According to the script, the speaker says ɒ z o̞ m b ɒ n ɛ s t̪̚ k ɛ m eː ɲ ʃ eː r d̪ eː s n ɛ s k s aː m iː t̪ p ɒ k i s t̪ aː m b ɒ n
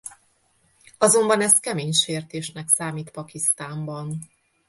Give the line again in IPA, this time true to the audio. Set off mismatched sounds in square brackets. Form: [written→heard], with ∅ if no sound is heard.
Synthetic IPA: ɒ z o̞ m b ɒ n ɛ s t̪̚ k ɛ m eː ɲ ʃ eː r [d̪→t̪] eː [s→ʃ] n ɛ [s→∅] k s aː m iː t̪ p ɒ k i s t̪ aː m b ɒ n

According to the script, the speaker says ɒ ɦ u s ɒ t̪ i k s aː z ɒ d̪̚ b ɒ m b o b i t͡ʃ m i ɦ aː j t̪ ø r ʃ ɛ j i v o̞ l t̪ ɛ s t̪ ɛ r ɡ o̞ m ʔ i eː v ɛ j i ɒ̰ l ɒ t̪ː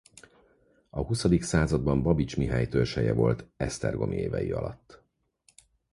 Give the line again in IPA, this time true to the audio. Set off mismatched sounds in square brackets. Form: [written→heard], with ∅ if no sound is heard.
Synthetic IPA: ɒ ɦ u s ɒ [t̪→d̪] i k s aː z ɒ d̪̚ b ɒ m b [o→ɒ] b i t͡ʃ m i ɦ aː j t̪ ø r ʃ ɛ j [i→ɛ] v o̞ l t̪ ɛ s t̪ ɛ r ɡ o̞ m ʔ i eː v ɛ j i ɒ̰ l ɒ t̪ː

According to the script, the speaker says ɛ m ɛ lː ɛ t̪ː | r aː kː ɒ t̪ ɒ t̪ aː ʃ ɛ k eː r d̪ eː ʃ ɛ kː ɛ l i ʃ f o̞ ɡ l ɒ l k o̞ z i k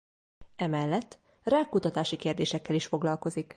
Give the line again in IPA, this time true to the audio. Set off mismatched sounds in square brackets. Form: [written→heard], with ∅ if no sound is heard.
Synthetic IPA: ɛ m ɛ lː ɛ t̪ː | r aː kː [ɒ→u] t̪ ɒ t̪ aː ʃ [ɛ→i] k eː r d̪ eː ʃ ɛ kː ɛ l i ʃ f o̞ ɡ l ɒ l k o̞ z i k

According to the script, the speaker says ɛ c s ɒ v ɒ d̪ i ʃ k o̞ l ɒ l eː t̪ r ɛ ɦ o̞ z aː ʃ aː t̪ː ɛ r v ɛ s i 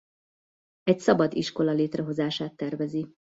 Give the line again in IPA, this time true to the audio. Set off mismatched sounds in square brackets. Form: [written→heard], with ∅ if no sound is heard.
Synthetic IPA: ɛ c s ɒ [v→b] ɒ d̪ i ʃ k o̞ l ɒ l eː t̪ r ɛ ɦ o̞ z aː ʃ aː t̪ː ɛ r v ɛ [s→z] i

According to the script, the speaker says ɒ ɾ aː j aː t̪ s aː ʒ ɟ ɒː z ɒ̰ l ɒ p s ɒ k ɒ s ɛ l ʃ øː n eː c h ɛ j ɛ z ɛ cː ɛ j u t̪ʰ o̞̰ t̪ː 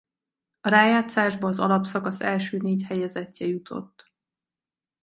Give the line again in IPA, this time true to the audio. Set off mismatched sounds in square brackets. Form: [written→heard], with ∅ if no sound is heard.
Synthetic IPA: ɒ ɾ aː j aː t̪ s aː ʒ [ɟ→b] ɒː z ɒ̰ l ɒ p s ɒ k ɒ s ɛ l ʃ øː n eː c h ɛ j ɛ z ɛ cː ɛ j u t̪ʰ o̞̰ t̪ː

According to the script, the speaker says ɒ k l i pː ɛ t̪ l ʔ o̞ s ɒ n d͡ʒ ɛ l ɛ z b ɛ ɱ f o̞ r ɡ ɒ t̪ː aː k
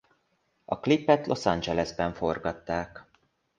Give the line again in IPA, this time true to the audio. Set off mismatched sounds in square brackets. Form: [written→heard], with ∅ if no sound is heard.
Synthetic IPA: ɒ k l i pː ɛ t̪ l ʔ o̞ s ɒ n d͡ʒ ɛ l ɛ z b ɛ ɱ f o̞ r ɡ ɒ t̪ː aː k

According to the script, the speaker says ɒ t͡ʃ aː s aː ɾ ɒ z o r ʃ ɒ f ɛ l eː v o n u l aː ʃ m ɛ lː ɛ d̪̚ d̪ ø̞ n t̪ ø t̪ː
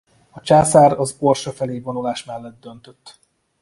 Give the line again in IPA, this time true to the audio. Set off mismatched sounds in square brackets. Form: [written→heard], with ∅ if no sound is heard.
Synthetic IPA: ɒ t͡ʃ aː s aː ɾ ɒ z o r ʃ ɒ f ɛ l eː v o n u l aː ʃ m ɛ lː ɛ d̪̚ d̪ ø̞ n t̪ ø t̪ː

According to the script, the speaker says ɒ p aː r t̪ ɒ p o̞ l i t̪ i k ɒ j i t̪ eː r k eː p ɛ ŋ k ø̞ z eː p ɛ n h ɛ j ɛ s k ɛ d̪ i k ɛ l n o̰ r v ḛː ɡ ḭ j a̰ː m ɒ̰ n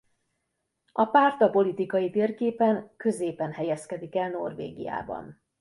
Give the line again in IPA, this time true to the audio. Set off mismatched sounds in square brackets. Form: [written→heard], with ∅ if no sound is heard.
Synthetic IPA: ɒ p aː r t̪ ɒ p o̞ l i t̪ i k ɒ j i t̪ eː r k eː p ɛ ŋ k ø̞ z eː p ɛ n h ɛ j ɛ s k ɛ d̪ i k ɛ l n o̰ r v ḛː ɡ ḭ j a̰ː [m→b] ɒ̰ n

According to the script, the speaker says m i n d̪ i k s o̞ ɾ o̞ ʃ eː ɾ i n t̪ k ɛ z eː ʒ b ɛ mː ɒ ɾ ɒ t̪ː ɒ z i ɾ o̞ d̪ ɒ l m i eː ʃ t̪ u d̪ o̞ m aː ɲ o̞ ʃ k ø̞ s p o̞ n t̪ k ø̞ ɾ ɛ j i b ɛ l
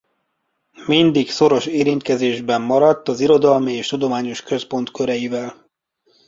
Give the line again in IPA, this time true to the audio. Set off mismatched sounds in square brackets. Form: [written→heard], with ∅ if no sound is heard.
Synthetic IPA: m i n d̪ i k s o̞ ɾ o̞ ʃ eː ɾ i n t̪ k ɛ z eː ʒ b ɛ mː ɒ ɾ ɒ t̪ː ɒ z i ɾ o̞ d̪ ɒ l m i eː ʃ t̪ u d̪ o̞ m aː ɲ o̞ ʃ k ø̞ s p o̞ n t̪ k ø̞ ɾ ɛ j i [b→v] ɛ l

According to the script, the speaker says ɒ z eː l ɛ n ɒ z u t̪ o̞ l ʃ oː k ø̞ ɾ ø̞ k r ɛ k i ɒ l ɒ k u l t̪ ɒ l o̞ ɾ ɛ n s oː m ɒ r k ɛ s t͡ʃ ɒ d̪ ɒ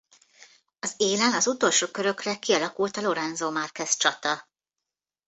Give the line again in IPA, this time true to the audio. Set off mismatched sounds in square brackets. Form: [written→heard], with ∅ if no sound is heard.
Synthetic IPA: ɒ z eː l ɛ n ɒ z u t̪ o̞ l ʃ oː k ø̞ ɾ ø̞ k r ɛ k i ɒ l ɒ k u l t̪ ɒ l o̞ ɾ ɛ n [s→z] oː m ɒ r k ɛ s t͡ʃ ɒ [d̪→t̪] ɒ

